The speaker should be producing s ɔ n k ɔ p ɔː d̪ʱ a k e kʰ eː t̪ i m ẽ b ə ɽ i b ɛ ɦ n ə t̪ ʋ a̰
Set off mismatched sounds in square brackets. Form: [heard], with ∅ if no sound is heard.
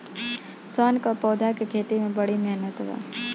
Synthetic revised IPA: s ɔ n k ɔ p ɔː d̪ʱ a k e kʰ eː t̪ i m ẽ b ə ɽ i [m] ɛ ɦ n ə t̪ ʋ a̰